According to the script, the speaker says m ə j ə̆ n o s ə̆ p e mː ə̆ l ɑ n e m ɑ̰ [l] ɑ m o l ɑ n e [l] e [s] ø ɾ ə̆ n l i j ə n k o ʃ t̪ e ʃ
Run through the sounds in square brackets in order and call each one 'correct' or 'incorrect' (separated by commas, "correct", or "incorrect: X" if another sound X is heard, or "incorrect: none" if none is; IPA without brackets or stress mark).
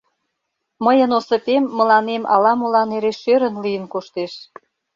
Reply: correct, incorrect: ɾ, incorrect: ʃ